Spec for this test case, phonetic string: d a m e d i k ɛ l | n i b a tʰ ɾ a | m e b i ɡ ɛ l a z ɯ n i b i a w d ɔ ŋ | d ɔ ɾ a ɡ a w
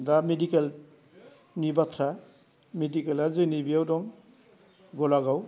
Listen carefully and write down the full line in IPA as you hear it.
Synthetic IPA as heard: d a m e d i k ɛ l | n i b a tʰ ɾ a | m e d i k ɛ l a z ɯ n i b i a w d ɔ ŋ | ɡ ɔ l a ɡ a w

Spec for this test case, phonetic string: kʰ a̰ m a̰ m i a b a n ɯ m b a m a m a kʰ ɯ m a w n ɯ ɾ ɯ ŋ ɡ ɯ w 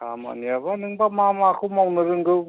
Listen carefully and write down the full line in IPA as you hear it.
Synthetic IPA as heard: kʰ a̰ m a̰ n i a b a n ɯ ŋ b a m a m a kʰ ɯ m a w n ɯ ɾ ɯ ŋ ɡ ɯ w

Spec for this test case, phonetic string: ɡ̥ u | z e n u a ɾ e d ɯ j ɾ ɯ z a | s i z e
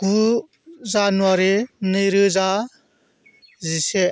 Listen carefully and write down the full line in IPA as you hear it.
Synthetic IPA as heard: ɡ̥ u | z a n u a ɾ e n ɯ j ɾ ɯ z a | z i s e

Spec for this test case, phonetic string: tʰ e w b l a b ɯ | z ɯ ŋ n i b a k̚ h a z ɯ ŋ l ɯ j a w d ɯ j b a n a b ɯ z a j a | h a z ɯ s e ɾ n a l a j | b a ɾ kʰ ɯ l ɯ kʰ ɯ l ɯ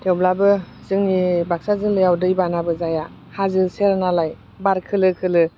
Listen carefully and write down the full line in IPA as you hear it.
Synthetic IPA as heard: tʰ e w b l a b ɯ | z ɯ ŋ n i b a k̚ s a z ɯ ŋ l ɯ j a w d ɯ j b a n a b ɯ z a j a | h a z ɯ s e ɾ n a l a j | b a ɾ kʰ ɯ l ɯ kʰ ɯ l ɯ

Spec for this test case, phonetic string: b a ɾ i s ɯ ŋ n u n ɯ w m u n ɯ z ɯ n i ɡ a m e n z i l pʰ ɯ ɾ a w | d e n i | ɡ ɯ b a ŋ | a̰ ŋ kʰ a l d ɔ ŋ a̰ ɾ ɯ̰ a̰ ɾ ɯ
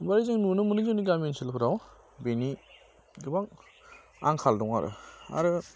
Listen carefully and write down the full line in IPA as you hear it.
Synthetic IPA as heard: b a ɾ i z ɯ ŋ n u n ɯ m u n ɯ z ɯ n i ɡ a m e n s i l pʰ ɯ ɾ a w | b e n i | ɡ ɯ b a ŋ | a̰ ŋ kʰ a l d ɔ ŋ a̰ ɾ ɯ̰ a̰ ɾ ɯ

